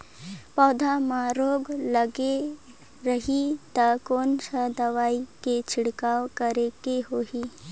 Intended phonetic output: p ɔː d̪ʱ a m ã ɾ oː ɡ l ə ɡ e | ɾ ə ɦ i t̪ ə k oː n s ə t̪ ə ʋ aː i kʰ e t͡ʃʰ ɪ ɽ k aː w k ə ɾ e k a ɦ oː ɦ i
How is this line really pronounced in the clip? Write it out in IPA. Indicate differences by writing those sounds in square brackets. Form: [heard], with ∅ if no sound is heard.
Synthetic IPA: p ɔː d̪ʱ a m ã ɾ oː ɡ l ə ɡ e | ɾ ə ɦ i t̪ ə k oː n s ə [d̪] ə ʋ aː i [k] e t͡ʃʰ ɪ ɽ k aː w k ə ɾ e k [e] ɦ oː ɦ i